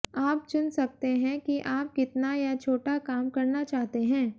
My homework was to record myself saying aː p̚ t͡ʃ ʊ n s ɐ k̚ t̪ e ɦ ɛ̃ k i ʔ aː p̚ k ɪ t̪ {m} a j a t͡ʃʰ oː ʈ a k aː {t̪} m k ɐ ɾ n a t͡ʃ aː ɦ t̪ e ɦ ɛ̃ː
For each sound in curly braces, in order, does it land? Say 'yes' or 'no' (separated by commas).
no, no